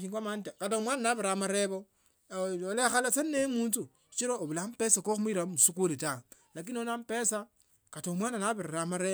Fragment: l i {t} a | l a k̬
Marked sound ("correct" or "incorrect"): correct